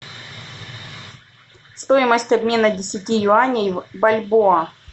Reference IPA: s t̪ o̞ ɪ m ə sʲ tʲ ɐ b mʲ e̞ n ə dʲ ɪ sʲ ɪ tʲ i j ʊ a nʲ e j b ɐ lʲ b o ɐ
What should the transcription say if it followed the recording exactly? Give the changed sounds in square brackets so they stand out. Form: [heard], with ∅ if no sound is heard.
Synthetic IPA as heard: s t̪ o̞ ɪ m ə sʲ tʲ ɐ b mʲ e̞ n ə dʲ ɪ sʲ ɪ tʲ i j ʊ a nʲ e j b ɐ lʲ b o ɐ